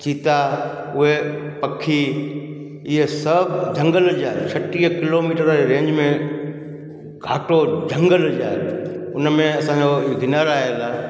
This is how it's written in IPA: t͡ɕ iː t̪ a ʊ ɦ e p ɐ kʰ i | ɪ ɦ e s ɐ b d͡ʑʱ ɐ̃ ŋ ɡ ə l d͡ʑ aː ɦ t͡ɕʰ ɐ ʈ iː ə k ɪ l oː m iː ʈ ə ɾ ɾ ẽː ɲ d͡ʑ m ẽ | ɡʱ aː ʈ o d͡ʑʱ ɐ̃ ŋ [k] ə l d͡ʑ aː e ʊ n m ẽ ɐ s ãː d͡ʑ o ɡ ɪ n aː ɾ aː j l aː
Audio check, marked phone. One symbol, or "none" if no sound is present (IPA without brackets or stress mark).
ɡ